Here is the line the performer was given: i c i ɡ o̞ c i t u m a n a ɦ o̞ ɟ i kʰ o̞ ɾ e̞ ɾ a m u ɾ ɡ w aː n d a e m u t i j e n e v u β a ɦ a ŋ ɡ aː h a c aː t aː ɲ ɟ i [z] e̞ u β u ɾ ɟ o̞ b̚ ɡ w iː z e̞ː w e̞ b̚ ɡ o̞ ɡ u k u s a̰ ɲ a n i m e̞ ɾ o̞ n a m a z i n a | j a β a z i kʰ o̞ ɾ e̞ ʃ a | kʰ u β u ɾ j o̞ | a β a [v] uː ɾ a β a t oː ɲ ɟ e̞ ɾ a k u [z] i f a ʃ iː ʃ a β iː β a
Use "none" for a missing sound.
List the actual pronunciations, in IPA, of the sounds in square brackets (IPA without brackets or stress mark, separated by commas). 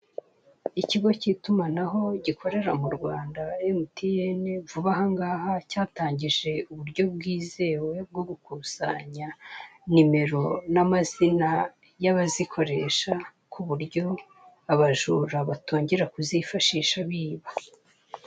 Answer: ʒ, ʒ, z